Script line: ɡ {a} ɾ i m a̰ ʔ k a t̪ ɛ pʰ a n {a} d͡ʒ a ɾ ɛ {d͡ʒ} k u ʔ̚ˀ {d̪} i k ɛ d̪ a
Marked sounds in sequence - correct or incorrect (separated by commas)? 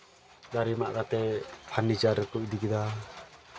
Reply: correct, incorrect, incorrect, correct